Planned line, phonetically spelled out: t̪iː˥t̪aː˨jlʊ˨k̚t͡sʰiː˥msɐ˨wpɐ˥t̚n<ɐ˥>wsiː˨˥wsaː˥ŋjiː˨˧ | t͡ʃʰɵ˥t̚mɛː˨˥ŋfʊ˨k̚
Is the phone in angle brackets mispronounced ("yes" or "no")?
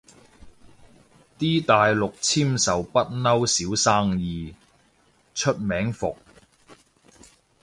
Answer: no